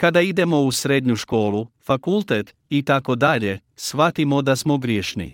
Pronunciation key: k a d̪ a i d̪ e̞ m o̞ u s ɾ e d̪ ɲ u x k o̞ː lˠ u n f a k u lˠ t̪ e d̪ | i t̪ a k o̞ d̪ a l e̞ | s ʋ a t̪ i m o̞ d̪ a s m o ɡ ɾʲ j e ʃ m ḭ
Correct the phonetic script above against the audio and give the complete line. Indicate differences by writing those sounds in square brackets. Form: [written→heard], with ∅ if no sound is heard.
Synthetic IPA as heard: k a d̪ a i d̪ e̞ m o̞ u s ɾ e d̪ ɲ u [x→ʃ] k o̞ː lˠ u [n→∅] f a k u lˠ t̪ e [d̪→t̪] | i t̪ a k o̞ d̪ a [l→ʎ] e̞ | s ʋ a t̪ i m o̞ d̪ a s m o ɡ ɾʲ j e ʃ [m→n] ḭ